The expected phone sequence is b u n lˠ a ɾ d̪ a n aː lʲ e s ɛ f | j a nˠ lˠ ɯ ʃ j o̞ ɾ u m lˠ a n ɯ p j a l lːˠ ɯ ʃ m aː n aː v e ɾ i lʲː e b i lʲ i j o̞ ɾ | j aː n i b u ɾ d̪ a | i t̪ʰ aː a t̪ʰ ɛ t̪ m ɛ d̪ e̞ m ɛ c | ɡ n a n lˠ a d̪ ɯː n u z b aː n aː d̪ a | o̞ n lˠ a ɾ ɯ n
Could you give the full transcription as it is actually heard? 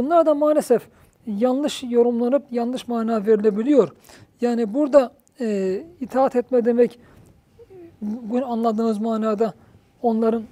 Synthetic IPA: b u n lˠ a ɾ d̪ a m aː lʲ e s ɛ f | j a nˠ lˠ ɯ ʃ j o̞ ɾ u m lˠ a n ɯ p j a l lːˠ ɯ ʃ m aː n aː v e ɾ i lʲ e b i lʲ i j o̞ ɾ | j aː n i b u ɾ d̪ a | i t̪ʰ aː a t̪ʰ ɛ t̪ m ɛ d̪ e̞ m ɛ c | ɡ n a n lˠ a d̪ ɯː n ɯ z m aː n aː d̪ a | o̞ n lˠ a ɾ ɯ n